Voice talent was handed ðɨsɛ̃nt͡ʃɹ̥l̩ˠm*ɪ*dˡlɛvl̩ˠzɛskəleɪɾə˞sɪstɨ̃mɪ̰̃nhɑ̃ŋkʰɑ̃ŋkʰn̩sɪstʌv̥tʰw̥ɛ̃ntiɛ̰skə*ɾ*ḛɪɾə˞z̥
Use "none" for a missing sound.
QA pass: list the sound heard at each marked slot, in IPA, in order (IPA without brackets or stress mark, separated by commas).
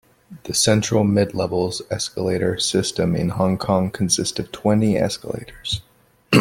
ɪ, l